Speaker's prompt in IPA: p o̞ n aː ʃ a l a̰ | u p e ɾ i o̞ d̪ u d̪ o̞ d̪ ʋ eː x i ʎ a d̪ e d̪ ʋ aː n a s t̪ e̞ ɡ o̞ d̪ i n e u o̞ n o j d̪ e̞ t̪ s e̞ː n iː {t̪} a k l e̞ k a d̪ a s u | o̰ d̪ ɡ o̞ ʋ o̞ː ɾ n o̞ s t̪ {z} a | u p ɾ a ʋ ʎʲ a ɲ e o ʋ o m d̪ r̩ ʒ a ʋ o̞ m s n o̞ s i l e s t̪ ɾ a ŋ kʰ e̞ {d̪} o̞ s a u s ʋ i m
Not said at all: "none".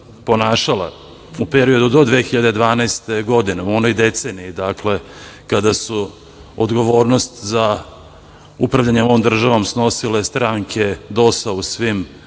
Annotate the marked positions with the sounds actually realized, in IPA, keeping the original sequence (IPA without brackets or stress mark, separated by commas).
d̪, z, d̪